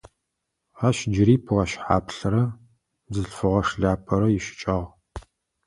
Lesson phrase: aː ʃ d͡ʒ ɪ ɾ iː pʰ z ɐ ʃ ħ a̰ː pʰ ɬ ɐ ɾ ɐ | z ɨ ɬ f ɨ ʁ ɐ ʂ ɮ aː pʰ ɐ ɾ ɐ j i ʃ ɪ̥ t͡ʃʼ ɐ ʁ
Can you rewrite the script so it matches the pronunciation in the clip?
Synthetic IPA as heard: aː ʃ d͡ʒ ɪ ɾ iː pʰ ʁ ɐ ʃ ħ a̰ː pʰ ɬ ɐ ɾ ɐ | z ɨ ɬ f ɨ ʁ ɐ ʂ ɮ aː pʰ ɐ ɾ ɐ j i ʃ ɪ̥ t͡ʃʼ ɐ ʁ